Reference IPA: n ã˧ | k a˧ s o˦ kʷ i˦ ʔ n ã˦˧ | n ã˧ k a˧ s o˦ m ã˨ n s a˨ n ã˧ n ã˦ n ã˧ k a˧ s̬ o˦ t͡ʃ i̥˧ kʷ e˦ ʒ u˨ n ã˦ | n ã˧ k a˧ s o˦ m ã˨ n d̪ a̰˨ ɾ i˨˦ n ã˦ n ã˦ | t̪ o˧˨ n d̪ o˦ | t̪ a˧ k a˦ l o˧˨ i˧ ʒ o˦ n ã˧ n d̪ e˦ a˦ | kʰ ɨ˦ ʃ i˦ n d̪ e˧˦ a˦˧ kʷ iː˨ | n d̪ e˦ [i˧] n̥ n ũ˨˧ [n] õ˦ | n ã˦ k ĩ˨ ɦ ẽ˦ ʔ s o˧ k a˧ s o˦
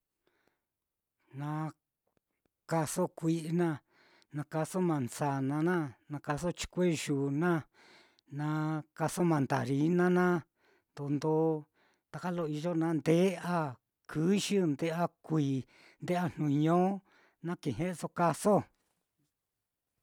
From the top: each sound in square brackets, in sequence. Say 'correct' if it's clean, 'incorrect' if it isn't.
incorrect, incorrect

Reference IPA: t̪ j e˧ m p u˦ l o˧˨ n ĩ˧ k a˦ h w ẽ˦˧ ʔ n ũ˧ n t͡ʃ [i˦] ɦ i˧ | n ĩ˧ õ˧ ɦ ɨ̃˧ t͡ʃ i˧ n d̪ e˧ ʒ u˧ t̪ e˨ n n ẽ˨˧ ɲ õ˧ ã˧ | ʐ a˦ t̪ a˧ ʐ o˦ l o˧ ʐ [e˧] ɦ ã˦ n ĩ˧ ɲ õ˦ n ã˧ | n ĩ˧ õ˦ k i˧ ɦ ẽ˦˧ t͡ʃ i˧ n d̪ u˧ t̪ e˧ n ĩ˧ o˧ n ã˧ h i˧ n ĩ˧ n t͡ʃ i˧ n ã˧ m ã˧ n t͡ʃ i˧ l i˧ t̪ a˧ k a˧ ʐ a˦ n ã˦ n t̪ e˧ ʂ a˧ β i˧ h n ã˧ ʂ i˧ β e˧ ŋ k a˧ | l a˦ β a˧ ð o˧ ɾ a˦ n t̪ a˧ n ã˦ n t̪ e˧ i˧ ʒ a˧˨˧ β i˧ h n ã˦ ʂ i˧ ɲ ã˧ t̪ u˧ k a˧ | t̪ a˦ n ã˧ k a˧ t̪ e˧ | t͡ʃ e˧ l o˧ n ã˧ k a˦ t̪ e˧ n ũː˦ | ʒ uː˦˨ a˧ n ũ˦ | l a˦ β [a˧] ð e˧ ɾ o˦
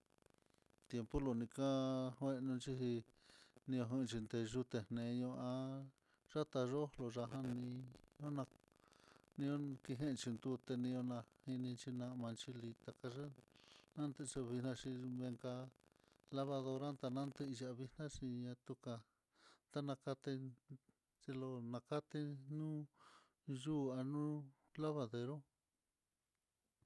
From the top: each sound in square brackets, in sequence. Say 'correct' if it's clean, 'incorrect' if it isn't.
correct, incorrect, correct

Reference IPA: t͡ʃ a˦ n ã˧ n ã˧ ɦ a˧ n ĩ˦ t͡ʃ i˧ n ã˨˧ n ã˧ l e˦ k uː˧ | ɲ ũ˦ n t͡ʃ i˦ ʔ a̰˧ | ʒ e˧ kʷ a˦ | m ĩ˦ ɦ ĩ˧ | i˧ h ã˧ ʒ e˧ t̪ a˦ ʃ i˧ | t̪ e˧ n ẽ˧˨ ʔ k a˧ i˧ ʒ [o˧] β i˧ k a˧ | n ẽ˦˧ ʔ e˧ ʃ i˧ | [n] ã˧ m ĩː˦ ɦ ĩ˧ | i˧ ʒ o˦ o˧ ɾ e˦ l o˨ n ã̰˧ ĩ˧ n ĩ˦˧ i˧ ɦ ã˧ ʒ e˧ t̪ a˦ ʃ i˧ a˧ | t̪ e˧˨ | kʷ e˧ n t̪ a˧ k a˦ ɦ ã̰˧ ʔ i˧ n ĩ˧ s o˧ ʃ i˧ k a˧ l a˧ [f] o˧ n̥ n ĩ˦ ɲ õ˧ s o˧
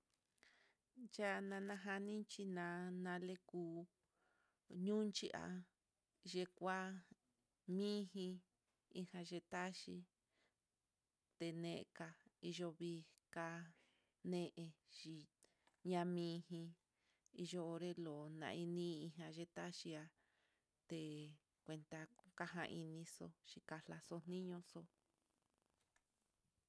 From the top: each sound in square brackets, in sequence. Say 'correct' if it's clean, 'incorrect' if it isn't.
correct, incorrect, incorrect

